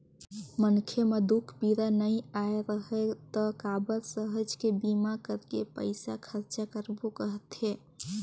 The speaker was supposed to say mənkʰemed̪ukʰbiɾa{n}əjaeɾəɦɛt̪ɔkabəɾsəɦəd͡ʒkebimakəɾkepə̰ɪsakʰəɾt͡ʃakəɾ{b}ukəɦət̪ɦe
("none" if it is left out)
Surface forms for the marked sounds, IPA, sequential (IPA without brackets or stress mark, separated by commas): n, b